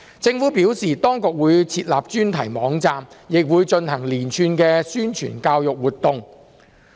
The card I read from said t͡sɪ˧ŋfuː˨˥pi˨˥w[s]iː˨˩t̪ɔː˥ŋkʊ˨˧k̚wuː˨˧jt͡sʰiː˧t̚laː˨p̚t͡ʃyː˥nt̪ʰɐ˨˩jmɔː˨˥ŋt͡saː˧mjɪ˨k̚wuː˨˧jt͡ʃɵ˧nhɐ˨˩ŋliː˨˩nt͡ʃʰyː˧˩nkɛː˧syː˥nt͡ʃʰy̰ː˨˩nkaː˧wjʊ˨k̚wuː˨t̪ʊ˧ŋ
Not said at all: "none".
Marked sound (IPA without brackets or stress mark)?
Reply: s